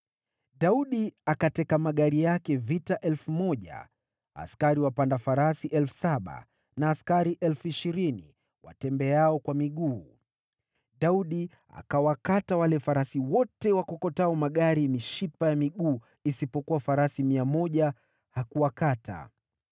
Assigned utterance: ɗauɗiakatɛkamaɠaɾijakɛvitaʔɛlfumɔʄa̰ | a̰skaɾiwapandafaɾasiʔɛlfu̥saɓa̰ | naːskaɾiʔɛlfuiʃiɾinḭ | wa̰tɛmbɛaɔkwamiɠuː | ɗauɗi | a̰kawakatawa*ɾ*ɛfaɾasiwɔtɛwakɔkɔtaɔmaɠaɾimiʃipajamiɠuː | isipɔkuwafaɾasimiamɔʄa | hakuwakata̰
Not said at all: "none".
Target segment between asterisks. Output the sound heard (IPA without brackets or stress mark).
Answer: l